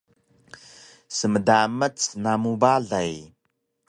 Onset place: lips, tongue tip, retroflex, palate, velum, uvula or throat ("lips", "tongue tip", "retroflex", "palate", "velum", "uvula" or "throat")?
tongue tip